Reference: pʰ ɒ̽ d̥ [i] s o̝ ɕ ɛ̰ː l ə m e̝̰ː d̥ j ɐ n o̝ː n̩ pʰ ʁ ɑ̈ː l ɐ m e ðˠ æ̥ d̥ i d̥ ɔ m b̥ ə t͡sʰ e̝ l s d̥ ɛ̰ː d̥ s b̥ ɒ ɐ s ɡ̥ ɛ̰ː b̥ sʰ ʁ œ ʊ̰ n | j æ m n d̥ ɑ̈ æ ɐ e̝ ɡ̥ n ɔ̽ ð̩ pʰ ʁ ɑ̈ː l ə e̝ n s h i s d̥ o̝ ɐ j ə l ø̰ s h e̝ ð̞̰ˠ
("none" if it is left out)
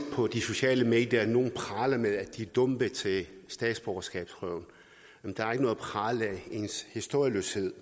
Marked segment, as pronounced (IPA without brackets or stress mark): i